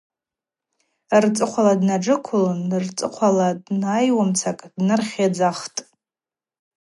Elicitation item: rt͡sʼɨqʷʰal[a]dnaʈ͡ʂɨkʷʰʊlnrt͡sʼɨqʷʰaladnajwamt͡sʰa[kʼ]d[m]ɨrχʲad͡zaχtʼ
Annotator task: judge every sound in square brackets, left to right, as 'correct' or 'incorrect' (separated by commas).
correct, correct, incorrect